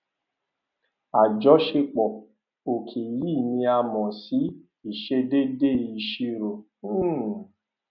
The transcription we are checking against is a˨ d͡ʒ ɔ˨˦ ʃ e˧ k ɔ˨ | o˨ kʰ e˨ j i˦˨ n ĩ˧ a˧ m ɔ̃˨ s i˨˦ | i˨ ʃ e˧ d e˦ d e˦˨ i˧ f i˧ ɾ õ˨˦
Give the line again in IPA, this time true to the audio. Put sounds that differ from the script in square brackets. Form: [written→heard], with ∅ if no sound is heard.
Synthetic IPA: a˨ d͡ʒ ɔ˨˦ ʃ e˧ [k→k͡p] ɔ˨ | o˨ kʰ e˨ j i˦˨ n ĩ˧ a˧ m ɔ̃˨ s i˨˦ | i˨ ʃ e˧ d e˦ d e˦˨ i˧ [f→ʃ] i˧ ɾ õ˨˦